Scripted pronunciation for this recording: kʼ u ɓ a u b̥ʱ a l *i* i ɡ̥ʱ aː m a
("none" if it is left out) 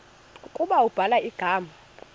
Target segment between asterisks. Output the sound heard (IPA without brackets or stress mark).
a